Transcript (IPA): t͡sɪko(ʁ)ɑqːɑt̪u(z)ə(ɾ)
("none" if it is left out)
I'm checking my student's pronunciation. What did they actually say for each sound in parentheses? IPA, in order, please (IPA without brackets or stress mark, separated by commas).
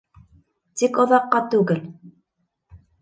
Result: ð, ɣ, l